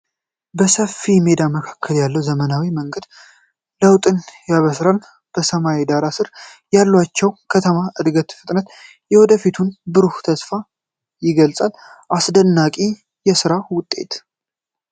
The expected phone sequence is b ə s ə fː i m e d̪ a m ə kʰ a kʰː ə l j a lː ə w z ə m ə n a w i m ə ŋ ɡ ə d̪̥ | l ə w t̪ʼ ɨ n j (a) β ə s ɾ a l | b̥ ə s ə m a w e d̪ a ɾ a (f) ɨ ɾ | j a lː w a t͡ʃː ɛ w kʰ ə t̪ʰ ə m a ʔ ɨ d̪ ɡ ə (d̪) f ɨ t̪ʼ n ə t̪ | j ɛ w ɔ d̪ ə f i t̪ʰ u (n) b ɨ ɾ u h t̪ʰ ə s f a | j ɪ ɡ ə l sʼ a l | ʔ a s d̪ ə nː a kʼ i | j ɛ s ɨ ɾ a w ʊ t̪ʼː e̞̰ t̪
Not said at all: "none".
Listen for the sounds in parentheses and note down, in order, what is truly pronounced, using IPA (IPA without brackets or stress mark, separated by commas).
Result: a, s, t̪, n